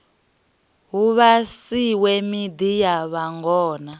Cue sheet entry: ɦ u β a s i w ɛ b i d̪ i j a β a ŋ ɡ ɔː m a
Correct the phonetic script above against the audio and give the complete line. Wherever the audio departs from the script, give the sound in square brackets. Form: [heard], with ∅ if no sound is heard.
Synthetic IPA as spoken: ɦ u β a s i w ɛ [m] i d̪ i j a β a ŋ ɡ ɔː [n] a